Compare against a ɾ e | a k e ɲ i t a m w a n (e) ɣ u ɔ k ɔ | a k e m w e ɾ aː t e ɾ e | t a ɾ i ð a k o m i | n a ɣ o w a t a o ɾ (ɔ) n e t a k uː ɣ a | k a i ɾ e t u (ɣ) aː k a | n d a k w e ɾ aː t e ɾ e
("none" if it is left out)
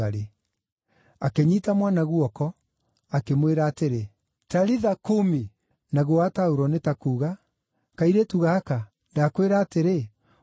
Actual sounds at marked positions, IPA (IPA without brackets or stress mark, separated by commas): a, ɔ, ɣ